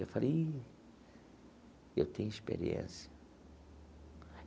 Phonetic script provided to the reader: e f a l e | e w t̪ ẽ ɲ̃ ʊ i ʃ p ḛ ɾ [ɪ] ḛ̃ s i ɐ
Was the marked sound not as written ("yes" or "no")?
yes